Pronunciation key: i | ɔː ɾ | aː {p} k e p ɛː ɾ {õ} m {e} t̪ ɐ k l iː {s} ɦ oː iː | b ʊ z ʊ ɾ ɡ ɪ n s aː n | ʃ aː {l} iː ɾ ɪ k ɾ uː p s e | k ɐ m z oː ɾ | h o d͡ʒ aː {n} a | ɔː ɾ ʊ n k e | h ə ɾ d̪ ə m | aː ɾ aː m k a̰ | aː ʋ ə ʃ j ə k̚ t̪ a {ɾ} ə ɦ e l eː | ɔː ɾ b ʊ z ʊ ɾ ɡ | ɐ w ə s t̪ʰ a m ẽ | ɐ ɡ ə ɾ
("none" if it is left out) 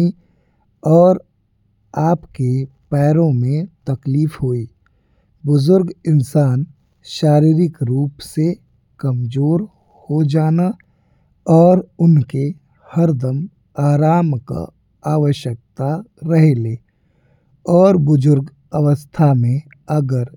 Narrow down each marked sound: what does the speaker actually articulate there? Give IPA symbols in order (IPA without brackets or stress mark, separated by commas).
p, õ, ẽ, f, ɾ, n, ɾ